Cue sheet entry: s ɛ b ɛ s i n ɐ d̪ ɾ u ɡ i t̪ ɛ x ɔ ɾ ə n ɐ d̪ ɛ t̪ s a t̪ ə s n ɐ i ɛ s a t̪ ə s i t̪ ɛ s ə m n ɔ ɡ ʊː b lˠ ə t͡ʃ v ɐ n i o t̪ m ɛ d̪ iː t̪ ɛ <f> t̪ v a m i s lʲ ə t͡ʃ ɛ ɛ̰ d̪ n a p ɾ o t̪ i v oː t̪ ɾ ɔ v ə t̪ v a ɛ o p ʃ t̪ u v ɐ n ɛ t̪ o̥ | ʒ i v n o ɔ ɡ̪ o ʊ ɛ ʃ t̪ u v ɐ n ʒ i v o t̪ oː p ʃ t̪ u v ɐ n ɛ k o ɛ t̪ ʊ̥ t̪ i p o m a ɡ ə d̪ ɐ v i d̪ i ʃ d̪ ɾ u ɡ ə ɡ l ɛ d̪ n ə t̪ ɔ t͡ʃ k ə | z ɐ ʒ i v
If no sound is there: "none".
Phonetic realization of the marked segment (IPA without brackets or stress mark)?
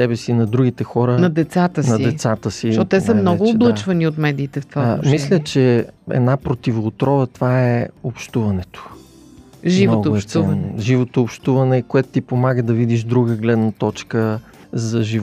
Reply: f